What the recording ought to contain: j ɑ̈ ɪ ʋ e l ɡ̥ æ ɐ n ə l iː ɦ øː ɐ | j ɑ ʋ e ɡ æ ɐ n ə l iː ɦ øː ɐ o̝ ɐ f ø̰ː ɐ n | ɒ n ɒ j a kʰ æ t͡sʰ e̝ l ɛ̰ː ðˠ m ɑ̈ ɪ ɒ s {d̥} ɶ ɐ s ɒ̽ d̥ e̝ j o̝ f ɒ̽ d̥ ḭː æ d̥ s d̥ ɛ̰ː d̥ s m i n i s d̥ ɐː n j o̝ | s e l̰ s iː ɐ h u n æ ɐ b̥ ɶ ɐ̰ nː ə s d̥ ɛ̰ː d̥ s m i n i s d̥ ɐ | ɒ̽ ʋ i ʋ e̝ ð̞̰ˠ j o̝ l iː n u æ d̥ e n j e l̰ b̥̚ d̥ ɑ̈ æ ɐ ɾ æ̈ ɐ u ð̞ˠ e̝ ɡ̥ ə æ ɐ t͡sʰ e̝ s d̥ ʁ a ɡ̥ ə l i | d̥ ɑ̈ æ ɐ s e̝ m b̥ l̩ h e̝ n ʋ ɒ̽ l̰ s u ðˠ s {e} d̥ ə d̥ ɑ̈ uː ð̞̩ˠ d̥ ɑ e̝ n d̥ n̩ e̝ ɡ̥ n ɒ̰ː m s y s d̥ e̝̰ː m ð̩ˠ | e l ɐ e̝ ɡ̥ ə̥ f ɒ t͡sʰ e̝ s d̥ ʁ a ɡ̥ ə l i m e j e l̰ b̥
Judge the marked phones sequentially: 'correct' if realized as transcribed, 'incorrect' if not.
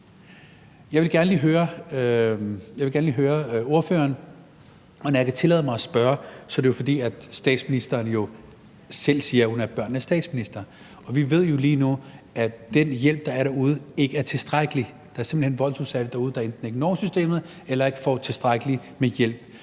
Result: incorrect, incorrect

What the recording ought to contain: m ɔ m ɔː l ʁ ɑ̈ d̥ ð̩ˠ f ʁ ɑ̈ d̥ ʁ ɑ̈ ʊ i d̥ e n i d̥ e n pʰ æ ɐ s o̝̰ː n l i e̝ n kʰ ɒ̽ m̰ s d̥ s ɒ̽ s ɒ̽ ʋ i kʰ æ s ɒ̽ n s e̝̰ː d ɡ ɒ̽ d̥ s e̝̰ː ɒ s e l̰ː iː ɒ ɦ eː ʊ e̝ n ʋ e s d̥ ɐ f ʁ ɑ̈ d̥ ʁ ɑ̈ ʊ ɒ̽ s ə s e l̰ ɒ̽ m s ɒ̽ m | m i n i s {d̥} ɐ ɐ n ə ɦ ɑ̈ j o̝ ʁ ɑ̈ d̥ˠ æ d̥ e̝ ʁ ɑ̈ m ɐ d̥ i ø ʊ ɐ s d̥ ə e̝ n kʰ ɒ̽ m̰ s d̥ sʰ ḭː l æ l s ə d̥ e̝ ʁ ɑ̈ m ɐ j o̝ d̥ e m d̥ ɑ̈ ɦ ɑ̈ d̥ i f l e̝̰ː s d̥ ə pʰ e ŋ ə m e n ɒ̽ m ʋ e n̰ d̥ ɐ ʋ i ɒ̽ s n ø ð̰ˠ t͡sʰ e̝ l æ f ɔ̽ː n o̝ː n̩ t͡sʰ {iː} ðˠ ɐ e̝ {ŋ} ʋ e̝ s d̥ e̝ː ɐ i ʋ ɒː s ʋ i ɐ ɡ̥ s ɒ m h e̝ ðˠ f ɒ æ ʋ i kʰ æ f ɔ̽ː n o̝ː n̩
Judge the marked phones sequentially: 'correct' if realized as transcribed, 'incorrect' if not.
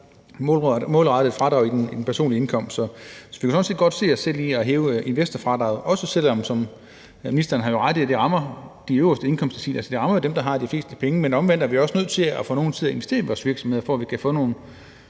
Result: correct, incorrect, incorrect

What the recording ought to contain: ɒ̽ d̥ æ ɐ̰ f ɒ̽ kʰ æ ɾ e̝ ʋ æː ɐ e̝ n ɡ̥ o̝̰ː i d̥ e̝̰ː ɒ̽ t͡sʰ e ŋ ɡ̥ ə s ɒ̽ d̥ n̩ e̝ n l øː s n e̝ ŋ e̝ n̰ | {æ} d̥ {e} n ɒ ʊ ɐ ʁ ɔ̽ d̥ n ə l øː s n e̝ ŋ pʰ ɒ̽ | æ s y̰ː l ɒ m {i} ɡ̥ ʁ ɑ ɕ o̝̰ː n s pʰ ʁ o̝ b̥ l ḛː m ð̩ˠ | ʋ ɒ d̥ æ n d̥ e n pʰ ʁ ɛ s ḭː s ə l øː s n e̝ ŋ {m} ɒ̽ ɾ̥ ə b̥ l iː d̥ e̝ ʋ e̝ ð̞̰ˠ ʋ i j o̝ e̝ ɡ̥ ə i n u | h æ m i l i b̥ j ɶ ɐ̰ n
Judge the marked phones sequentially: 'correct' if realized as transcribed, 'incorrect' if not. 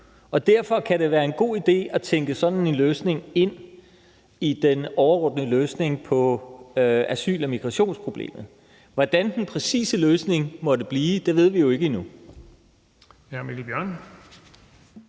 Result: incorrect, correct, correct, correct

